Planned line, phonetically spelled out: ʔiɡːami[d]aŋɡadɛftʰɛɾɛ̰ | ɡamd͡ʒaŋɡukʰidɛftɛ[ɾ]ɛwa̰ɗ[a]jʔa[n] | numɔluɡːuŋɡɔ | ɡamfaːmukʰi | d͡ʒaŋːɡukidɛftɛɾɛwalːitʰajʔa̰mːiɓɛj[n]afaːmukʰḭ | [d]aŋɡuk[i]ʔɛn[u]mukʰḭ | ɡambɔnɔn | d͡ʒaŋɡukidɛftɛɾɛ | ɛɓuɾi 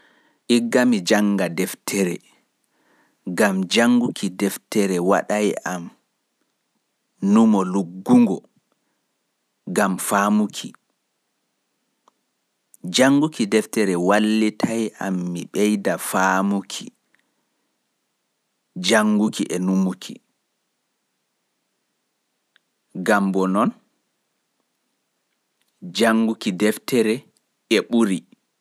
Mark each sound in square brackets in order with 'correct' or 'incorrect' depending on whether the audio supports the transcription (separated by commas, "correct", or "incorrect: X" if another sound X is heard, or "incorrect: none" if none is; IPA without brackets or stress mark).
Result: incorrect: d͡ʒ, correct, correct, incorrect: m, incorrect: d, incorrect: d͡ʒ, correct, correct